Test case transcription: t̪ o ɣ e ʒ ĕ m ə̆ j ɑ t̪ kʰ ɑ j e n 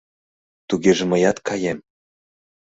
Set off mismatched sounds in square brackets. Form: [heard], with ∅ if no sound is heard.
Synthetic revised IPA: t̪ [u] ɣ e ʒ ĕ m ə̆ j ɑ t̪ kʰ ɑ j e [m]